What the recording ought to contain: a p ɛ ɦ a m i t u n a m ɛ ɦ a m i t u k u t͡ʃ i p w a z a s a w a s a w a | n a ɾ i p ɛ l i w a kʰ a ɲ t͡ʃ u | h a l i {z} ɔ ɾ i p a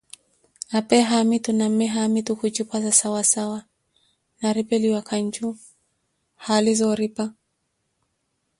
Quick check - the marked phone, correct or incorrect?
correct